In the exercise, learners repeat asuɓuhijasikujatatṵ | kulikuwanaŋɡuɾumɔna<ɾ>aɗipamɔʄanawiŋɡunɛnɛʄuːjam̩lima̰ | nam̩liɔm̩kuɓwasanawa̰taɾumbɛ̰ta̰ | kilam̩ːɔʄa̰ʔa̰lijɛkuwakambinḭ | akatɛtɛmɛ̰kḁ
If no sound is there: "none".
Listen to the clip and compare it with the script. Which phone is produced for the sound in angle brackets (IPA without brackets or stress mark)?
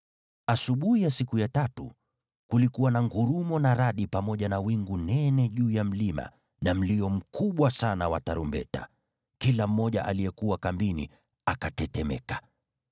ɾ